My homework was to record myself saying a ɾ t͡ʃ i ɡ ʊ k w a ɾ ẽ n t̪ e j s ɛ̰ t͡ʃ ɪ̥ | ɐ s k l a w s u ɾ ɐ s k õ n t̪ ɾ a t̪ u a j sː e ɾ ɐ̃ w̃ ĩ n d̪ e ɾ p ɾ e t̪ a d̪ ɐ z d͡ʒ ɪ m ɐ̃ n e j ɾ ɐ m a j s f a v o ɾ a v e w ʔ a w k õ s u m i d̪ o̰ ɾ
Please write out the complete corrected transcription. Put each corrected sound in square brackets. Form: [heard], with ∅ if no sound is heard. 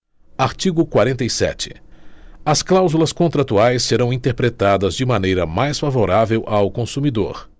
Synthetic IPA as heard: a ɾ t͡ʃ i ɡ ʊ k w a ɾ ẽ n t̪ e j s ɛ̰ t͡ʃ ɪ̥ | ɐ s k l a w [z] u [l] ɐ s k õ n t̪ ɾ a t̪ u a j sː e ɾ ɐ̃ w̃ ĩ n [t̪] e ɾ p ɾ e t̪ a d̪ ɐ z d͡ʒ ɪ m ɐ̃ n e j ɾ ɐ m a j s f a v o ɾ a v e w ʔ a w k õ s u m i d̪ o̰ ɾ

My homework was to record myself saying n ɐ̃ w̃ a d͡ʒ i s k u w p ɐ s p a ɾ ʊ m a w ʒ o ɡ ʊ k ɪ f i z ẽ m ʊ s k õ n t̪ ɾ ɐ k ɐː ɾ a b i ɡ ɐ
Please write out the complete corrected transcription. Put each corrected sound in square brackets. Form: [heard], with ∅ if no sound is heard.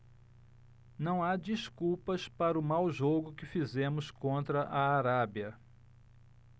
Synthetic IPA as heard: n ɐ̃ w̃ a d͡ʒ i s k u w p ɐ s p a ɾ ʊ m a w ʒ o ɡ ʊ k ɪ f i z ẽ m ʊ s k õ n t̪ ɾ ɐ [ʔ] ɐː ɾ a b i [∅] ɐ

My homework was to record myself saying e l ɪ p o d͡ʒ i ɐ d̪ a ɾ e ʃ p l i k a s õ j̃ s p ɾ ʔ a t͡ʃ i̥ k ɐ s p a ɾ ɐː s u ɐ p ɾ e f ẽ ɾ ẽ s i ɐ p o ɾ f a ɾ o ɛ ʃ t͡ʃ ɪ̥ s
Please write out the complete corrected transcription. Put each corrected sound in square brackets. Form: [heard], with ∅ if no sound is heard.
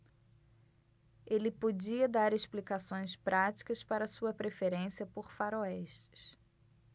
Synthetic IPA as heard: e l ɪ p o d͡ʒ i ɐ d̪ a ɾ e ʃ p l i k a s õ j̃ s p ɾ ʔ a t͡ʃ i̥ k ɐ s p a ɾ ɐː s u ɐ p ɾ e f [e] ɾ ẽ s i ɐ p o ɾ f a ɾ o ɛ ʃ t͡ʃ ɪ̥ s

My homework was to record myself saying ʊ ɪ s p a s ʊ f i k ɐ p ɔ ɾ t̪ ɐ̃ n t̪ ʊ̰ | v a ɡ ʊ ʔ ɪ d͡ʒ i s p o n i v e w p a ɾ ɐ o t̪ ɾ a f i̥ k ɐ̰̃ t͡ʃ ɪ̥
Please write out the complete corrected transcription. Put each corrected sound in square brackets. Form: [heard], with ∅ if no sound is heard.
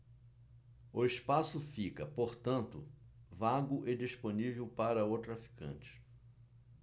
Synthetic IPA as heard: ʊ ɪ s p a s ʊ f i k ɐ p [o] ɾ t̪ ɐ̃ n t̪ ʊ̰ | v a ɡ ʊ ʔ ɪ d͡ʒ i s p o n i v e w p a ɾ ɐ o t̪ ɾ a f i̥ k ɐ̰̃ t͡ʃ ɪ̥

